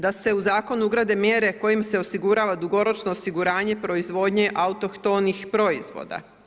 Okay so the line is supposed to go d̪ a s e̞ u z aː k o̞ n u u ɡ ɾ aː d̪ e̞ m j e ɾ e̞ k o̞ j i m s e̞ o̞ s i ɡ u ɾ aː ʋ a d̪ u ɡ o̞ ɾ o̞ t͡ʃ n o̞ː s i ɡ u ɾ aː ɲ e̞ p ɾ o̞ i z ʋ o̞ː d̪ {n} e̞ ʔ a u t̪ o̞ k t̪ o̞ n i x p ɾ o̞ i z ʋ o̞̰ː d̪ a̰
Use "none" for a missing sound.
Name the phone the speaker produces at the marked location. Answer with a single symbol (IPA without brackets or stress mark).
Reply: ɲ